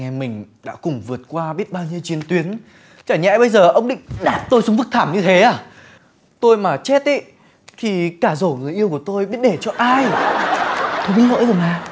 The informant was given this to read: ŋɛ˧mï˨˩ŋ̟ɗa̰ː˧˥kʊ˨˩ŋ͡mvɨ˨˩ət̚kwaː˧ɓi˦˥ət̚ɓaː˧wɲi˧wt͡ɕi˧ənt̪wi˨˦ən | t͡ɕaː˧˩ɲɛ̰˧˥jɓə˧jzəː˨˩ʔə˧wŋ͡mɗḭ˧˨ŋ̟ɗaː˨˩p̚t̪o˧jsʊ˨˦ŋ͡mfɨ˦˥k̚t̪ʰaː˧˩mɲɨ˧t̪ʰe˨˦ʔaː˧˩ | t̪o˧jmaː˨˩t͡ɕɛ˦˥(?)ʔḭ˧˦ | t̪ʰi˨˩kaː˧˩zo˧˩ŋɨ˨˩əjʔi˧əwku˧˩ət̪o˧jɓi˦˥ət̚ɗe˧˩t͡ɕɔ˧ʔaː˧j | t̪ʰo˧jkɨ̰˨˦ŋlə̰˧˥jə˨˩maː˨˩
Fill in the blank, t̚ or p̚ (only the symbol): t̚